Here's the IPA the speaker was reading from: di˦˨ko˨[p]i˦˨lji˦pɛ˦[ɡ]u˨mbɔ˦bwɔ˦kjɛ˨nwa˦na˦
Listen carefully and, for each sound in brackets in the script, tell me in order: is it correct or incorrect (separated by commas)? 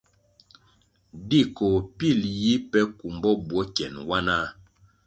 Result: correct, incorrect